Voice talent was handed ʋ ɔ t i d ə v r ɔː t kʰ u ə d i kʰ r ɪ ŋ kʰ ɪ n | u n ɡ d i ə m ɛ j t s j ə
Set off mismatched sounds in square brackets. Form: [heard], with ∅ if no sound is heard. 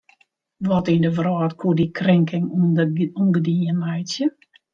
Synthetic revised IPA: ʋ ɔ t i d ə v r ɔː t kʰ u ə d i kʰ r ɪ ŋ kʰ ɪ [ŋ] | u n ɡ d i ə [n] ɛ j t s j ə